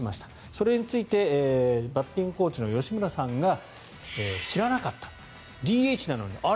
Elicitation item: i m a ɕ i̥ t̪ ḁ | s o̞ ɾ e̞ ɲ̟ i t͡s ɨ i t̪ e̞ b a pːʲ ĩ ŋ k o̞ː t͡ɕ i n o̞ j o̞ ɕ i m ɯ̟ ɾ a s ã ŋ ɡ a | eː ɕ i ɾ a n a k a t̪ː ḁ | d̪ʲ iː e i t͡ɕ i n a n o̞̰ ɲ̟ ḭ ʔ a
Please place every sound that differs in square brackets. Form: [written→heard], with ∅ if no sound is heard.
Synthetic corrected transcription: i m a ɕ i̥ t̪ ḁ | s o̞ ɾ e̞ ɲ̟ i t͡s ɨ i t̪ e̞ b a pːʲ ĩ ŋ k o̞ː t͡ɕ i n o̞ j o̞ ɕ i m ɯ̟ ɾ a s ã ŋ ɡ a | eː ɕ i ɾ a n a k a t̪ː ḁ | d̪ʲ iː e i t͡ɕ i n a n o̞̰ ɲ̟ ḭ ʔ a